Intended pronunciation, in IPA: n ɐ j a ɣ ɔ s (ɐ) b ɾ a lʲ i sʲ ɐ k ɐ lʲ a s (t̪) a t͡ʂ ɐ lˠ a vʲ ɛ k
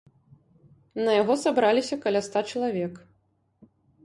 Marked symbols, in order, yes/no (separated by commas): no, yes